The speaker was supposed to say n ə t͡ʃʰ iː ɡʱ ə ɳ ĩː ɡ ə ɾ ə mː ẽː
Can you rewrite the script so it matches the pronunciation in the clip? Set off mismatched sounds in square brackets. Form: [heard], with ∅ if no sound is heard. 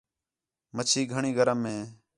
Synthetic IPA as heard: [m] ə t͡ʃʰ iː ɡʱ ə ɳ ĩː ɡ ə ɾ ə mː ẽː